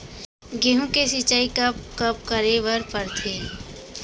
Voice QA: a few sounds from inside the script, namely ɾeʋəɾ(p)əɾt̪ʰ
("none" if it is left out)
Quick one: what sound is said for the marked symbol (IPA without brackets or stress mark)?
p